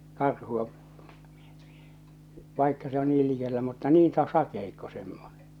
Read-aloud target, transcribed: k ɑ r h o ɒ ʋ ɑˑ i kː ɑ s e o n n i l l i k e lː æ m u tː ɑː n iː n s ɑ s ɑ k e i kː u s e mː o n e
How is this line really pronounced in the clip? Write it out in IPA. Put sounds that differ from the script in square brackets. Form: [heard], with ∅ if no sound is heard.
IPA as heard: k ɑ r h [u] ɒ ʋ ɑˑ i kː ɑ s e o n n [iː] l l i k e lː æ m u tː [ɑ] n iː n s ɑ s ɑ k e i kː [o] s e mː o n e